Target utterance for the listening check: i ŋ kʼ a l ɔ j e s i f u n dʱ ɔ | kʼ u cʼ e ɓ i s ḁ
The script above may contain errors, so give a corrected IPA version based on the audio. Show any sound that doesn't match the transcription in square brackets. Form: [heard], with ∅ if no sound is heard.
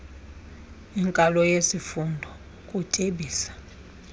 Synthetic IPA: i ŋ kʼ a l ɔ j e s i f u n dʱ ɔ | kʼ u [tʼ] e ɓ [iː] s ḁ